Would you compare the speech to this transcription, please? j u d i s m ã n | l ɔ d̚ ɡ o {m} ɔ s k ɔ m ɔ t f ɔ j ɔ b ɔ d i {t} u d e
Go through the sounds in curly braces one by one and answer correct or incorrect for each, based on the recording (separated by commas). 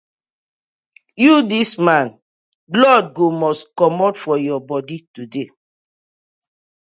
correct, correct